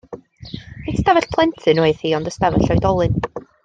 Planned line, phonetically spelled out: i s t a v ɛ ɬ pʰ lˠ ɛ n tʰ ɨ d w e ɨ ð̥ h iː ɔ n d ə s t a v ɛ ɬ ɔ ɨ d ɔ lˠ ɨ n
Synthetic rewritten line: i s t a v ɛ ɬ pʰ lˠ ɛ n tʰ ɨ n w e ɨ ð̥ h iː ɔ n d ə s t a v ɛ ɬ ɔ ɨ d ɔ lˠ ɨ n